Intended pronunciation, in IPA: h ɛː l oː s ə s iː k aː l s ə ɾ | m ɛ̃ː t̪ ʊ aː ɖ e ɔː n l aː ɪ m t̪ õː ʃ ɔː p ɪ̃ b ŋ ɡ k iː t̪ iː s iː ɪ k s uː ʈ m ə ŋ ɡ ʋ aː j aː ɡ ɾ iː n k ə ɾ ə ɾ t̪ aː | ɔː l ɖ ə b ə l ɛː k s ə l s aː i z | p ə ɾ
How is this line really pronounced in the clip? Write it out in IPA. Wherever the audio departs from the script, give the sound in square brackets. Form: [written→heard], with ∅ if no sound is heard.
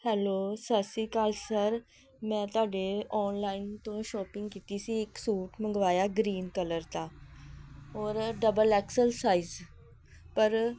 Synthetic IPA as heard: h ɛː l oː s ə s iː k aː l s ə ɾ | m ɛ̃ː t̪ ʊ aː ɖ e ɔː n l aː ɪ [m→n] t̪ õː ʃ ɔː p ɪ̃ [b→∅] ŋ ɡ k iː t̪ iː s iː ɪ k s uː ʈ m ə ŋ ɡ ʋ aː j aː ɡ ɾ iː n k ə [ɾ→l] ə ɾ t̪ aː | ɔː [l→ɾ] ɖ ə b ə l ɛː k s ə l s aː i z | p ə ɾ